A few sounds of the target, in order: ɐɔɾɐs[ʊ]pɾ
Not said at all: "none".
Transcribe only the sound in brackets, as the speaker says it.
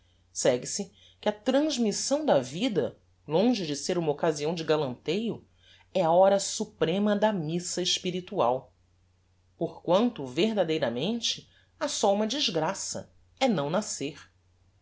u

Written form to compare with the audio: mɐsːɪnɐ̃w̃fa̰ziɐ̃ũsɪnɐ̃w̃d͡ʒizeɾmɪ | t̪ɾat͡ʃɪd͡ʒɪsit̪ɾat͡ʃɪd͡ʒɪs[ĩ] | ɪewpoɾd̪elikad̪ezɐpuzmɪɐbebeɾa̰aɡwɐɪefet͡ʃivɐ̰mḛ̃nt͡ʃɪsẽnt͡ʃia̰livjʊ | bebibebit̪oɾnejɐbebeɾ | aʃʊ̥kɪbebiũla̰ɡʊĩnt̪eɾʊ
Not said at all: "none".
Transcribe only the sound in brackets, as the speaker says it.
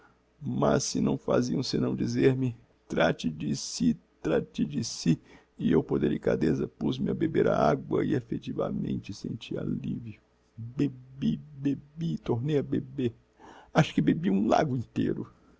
i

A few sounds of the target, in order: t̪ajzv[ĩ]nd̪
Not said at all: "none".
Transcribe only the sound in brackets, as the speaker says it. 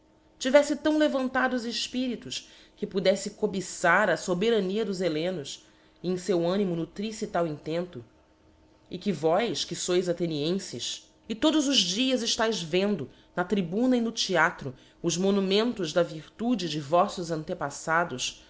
ẽ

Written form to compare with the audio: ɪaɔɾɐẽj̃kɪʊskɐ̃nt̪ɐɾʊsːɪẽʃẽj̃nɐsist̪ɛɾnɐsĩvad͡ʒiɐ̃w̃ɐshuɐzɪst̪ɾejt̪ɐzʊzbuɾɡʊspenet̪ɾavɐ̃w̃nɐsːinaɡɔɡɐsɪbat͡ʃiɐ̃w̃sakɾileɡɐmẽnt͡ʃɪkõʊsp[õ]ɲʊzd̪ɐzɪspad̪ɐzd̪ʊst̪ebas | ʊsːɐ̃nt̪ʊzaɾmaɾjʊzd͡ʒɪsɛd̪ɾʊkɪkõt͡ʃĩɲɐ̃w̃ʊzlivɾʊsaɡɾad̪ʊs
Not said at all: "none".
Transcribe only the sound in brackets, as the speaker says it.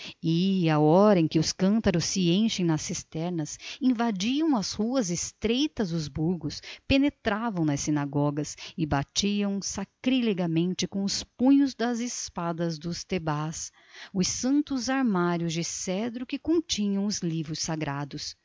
ũ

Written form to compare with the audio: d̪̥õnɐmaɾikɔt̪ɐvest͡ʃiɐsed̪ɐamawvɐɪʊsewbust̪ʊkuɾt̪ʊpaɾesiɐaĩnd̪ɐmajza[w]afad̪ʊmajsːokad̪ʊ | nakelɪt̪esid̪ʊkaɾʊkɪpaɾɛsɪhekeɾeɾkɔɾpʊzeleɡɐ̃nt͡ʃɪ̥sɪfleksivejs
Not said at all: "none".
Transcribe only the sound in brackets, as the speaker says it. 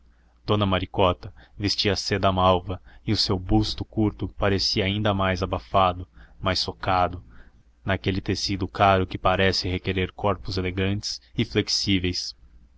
b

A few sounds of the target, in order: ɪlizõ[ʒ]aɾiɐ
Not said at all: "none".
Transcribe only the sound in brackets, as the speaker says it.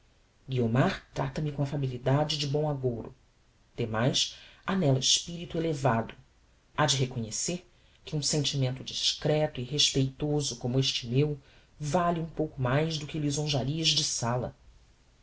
ʒ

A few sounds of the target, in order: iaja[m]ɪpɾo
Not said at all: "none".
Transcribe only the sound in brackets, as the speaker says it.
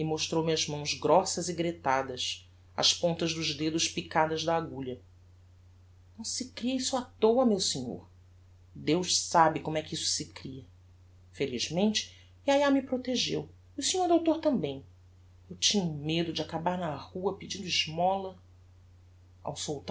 m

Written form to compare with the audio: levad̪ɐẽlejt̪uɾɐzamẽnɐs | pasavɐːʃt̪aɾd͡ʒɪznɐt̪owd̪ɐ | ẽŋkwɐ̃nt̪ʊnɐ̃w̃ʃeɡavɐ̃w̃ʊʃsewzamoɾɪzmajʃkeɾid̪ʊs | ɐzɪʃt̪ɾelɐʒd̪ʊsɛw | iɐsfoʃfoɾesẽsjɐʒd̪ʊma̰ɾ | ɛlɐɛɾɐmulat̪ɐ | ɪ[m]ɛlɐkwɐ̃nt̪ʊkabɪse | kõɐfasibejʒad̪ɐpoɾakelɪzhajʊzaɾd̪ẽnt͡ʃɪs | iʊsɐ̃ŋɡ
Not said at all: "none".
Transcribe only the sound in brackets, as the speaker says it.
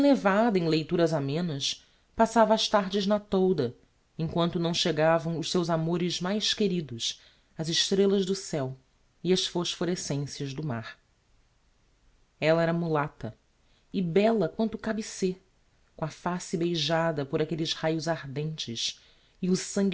b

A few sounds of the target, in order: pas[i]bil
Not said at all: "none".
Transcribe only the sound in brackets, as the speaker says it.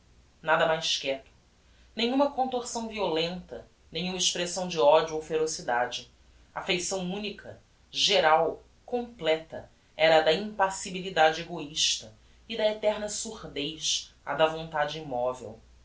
i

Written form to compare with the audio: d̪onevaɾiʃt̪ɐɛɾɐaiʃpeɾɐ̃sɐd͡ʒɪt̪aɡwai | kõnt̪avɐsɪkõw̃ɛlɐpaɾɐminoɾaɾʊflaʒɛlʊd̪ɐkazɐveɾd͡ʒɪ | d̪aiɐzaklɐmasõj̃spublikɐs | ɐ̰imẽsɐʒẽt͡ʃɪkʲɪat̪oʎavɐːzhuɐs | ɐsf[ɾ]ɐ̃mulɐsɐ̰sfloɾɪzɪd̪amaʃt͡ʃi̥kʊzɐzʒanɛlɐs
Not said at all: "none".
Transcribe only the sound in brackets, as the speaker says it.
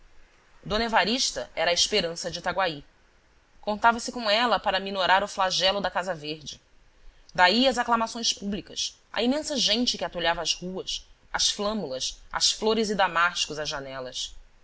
l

